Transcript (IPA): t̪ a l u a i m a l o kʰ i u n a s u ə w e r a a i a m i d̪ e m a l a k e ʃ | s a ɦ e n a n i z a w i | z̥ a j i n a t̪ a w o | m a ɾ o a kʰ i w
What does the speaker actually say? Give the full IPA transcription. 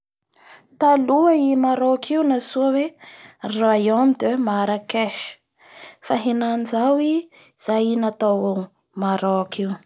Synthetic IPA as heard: t̪ a l u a i m a ɾ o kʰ i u n a s u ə w e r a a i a m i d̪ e m a ɾ a k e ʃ | f a ɦ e n a n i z a w i | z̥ a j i n a t̪ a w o | m a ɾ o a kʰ i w